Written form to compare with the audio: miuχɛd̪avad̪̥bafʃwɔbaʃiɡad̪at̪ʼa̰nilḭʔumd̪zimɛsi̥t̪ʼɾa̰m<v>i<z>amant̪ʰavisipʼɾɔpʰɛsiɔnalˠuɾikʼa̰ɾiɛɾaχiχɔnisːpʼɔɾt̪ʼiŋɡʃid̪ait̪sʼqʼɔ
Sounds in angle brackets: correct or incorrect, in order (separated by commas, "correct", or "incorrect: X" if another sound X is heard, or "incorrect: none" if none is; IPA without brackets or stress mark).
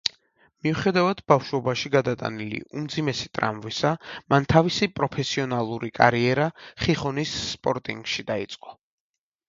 correct, incorrect: s